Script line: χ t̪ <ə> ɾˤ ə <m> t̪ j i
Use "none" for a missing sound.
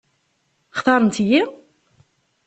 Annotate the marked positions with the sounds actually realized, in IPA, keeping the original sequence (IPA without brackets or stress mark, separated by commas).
ɑ, n